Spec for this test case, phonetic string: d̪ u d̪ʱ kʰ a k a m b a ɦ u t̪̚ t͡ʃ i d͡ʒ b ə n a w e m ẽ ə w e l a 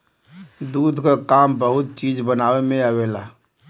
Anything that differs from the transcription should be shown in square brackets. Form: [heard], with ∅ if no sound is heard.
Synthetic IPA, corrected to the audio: d̪ u d̪ʱ [k] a k a m b [ə] ɦ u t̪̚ t͡ʃ i d͡ʒ b ə n a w e m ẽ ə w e l a